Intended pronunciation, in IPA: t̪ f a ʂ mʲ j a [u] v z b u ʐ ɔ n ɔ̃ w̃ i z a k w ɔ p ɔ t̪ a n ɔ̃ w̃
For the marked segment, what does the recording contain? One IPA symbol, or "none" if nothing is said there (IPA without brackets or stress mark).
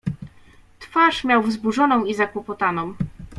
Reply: w